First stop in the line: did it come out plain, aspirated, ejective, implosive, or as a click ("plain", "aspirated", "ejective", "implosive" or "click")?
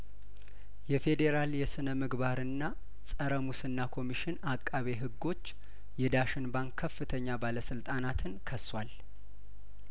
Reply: plain